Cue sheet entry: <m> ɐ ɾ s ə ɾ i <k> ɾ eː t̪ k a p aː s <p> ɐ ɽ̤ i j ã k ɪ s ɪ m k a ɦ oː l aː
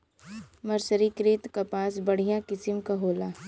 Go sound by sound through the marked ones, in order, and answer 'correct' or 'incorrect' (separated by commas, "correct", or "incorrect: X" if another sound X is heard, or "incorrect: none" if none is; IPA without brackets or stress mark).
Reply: correct, correct, incorrect: b